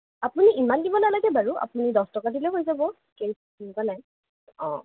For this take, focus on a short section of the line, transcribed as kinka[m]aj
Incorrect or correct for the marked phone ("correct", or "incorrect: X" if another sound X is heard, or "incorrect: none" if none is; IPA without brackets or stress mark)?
incorrect: n